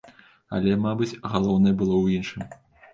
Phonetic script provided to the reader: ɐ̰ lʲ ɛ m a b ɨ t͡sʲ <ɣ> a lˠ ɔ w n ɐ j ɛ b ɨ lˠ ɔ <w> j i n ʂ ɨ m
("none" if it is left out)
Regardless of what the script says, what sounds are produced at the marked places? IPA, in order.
ɣ, w

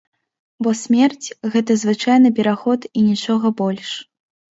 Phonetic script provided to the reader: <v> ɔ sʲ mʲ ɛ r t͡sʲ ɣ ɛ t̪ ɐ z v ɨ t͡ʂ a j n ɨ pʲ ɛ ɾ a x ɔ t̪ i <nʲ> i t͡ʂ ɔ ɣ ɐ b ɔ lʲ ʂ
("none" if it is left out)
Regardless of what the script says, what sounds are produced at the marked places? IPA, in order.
b, nʲ

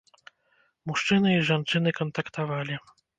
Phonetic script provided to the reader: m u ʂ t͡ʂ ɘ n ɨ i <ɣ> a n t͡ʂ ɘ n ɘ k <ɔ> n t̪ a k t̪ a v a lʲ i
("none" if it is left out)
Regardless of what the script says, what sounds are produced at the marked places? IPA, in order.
ʐ, ɔ

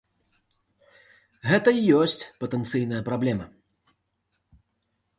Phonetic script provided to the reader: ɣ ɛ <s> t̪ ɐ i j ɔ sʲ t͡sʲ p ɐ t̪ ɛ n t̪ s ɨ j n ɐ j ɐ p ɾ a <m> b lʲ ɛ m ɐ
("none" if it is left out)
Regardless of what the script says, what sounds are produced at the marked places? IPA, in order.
none, none

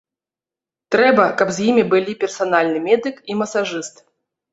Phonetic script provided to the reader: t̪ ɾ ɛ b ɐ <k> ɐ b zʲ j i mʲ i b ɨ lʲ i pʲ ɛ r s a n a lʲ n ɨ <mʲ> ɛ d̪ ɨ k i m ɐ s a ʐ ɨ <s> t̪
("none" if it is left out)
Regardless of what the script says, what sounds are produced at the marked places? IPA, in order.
k, mʲ, s

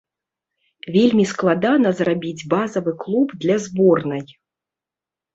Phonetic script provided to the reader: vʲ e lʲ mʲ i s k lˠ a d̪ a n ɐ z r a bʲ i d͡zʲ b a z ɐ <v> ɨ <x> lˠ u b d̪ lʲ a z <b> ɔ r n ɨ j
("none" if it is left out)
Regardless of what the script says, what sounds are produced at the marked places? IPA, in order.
v, k, b

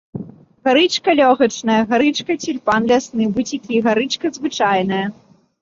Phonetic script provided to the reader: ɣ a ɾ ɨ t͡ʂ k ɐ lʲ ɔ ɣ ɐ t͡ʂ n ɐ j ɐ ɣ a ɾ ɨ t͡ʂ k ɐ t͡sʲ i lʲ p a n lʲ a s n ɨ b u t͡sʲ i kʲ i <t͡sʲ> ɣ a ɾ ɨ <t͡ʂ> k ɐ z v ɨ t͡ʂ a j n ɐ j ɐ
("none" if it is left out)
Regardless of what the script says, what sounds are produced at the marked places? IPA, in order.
none, t͡ʂ

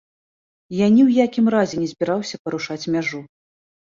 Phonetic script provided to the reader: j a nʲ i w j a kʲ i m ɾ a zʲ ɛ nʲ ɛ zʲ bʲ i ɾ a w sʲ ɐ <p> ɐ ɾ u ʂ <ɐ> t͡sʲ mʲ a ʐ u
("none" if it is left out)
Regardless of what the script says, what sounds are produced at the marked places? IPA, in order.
p, a

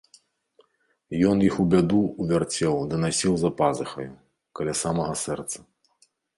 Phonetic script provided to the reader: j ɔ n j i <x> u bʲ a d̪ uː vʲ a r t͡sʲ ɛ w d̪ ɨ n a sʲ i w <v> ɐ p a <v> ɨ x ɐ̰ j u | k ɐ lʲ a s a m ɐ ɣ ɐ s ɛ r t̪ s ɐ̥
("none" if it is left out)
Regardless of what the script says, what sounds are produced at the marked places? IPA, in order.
x, z, z

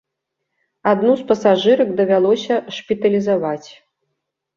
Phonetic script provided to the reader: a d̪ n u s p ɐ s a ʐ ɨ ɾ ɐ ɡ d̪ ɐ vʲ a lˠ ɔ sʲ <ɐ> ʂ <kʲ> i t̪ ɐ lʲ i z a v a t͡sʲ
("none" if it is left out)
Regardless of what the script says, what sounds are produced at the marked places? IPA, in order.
ɐ, pʲ

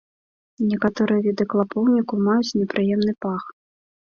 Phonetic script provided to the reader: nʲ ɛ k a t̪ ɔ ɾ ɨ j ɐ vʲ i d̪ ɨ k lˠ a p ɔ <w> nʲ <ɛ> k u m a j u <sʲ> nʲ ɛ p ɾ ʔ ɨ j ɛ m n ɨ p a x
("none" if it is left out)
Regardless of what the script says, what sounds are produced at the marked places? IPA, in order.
w, i, t͡sʲ

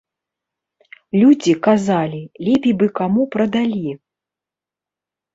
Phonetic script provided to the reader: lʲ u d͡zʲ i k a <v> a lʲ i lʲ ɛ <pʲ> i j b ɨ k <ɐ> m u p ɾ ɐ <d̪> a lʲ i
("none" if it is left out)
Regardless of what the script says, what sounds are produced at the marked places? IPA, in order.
z, pʲ, a, d̪

